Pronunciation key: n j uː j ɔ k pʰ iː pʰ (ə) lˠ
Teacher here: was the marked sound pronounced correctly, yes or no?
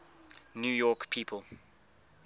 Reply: yes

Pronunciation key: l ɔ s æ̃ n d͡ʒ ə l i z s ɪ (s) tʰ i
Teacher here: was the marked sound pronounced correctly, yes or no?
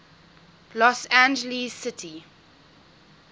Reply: no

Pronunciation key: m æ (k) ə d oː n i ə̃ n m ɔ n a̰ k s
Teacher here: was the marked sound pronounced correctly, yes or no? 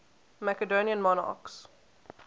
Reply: yes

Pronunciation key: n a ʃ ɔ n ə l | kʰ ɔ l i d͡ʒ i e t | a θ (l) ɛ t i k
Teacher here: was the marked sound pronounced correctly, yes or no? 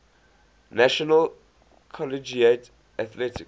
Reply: yes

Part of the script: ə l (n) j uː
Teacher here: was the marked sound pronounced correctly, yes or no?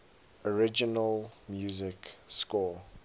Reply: no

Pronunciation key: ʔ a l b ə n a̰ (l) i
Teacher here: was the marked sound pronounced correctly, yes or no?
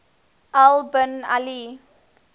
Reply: yes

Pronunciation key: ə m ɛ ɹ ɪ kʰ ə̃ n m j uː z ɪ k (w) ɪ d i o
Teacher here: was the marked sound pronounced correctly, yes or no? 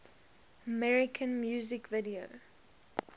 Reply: no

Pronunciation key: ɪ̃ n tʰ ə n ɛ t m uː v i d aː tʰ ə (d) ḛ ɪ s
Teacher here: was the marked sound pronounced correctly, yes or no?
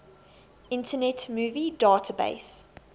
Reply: no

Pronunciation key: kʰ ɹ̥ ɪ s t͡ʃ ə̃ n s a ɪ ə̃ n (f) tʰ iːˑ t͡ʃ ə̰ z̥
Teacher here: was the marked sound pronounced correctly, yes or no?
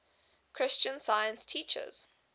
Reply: no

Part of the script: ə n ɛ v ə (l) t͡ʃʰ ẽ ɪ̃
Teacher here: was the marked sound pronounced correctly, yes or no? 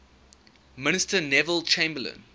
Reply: yes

